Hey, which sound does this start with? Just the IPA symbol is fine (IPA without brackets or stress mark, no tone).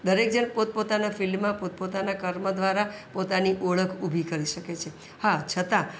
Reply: d̪